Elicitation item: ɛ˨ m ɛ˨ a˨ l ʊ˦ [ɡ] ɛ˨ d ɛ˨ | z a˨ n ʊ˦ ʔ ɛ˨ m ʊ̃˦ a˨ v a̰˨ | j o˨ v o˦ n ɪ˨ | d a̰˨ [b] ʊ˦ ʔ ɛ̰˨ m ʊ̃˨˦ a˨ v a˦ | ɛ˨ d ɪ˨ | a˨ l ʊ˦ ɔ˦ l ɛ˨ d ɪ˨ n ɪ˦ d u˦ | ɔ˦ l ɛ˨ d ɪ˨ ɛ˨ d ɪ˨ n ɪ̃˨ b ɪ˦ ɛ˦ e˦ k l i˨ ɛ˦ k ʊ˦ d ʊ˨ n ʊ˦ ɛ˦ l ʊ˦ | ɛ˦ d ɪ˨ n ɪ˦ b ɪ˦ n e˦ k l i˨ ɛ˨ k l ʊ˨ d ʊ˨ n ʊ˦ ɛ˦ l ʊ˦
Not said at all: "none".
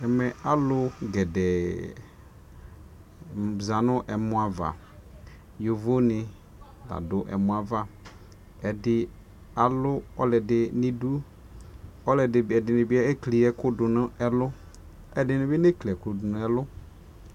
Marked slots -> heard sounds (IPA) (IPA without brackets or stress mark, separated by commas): ɡ, d